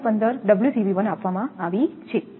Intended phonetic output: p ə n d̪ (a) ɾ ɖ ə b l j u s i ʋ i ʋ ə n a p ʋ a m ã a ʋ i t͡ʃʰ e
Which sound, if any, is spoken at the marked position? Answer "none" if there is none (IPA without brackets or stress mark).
ə